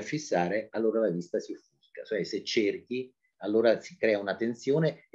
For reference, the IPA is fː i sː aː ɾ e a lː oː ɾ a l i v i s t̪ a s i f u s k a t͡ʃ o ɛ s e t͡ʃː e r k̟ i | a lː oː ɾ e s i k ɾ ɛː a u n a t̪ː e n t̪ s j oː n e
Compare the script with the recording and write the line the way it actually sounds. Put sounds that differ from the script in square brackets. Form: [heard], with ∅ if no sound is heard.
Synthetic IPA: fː i sː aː ɾ e a lː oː ɾ a l [a] v i s t̪ a s i f u s k a t͡ʃ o ɛ s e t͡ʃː e r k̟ i | a lː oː ɾ [a] s i k ɾ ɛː a u n a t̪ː e n t̪ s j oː n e